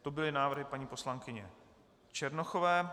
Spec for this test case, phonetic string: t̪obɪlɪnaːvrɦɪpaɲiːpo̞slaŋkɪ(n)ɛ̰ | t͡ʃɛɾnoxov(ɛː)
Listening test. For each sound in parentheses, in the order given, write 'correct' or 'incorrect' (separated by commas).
incorrect, correct